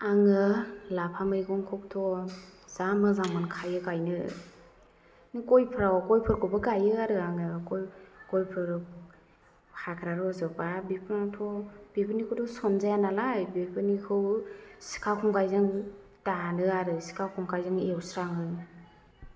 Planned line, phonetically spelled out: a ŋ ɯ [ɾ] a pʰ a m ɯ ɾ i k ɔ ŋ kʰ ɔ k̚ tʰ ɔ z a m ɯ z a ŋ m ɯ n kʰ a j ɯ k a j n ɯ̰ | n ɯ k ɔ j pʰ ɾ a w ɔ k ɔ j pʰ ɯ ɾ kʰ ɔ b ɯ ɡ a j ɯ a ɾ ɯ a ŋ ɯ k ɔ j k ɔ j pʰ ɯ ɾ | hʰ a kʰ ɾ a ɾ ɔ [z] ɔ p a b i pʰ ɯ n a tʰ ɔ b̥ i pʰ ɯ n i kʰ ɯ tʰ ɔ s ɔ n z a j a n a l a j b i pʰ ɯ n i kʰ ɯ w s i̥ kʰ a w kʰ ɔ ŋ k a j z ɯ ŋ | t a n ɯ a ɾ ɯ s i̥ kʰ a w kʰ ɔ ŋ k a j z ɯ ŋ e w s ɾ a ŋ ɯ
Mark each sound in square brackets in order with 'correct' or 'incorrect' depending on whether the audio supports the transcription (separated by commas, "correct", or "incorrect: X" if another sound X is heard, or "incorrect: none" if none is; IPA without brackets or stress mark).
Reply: incorrect: l, correct